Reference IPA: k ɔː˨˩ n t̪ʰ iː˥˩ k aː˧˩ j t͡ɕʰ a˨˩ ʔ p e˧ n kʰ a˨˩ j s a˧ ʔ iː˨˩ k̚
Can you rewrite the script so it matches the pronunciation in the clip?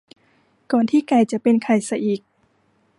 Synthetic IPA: k ɔː˨˩ n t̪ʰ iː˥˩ k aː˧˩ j t͡ɕ a˨˩ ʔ p e˧ n kʰ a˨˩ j s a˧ ʔ iː˨˩ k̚